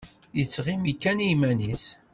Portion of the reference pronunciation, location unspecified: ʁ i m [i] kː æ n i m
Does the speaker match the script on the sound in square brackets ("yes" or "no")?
yes